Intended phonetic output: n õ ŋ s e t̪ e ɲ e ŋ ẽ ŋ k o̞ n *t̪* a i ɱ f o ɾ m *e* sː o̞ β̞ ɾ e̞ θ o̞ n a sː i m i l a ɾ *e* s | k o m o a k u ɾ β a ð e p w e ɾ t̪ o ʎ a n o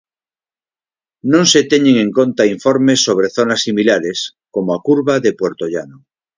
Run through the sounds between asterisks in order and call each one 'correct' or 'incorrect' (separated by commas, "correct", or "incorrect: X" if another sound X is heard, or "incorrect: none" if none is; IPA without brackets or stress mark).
correct, correct, correct